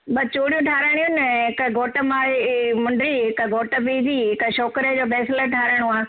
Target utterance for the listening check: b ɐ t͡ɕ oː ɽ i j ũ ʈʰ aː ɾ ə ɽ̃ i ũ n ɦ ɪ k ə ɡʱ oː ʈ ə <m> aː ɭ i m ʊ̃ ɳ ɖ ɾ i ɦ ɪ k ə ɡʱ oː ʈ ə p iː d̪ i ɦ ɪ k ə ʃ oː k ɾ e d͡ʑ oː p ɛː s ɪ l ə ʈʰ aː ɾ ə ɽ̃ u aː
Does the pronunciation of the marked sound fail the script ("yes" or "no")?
no